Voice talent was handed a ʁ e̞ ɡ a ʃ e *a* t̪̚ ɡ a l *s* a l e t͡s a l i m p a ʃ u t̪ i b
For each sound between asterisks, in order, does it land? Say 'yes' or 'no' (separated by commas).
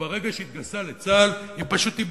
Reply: no, yes